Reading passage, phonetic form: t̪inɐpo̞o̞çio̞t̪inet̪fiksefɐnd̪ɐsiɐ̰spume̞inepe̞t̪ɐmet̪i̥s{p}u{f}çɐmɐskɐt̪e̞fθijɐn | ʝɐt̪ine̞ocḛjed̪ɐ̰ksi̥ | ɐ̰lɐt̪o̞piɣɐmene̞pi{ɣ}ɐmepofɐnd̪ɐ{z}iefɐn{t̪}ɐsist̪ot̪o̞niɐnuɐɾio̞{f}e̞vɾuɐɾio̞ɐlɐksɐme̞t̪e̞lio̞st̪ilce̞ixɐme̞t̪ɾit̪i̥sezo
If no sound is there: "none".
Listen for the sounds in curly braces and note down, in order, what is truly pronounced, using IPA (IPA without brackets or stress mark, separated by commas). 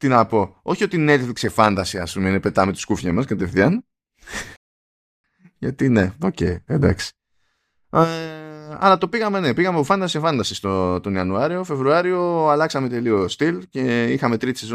k, f, ɣ, s, d̪, f